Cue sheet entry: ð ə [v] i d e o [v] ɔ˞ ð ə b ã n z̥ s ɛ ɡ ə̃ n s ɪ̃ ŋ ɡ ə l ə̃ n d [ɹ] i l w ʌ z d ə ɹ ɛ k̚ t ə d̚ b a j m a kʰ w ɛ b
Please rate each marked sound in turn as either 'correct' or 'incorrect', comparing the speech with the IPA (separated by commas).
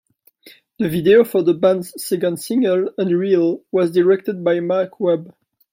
correct, incorrect, correct